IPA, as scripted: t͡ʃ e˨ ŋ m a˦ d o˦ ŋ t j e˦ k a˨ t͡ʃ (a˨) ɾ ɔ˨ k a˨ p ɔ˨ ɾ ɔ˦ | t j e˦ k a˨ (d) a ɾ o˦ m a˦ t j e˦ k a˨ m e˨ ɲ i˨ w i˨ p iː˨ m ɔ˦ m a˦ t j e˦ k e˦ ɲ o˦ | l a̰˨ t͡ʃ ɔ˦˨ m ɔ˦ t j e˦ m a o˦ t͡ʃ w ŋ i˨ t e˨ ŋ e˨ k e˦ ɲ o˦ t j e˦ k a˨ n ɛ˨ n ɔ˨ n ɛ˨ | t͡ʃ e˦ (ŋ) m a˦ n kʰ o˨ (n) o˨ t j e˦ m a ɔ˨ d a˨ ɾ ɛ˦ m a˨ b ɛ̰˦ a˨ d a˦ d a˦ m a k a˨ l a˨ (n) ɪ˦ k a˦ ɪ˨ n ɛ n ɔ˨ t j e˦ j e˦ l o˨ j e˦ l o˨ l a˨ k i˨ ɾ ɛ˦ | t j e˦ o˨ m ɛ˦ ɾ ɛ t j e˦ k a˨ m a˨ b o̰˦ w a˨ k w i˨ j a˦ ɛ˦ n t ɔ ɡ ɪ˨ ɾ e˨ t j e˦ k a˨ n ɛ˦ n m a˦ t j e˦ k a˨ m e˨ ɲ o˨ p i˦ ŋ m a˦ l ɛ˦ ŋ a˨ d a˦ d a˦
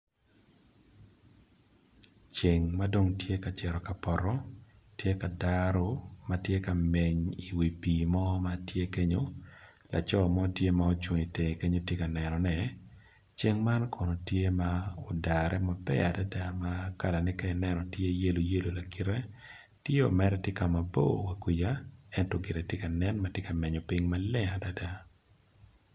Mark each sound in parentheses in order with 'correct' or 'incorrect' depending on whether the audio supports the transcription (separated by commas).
incorrect, correct, correct, correct, correct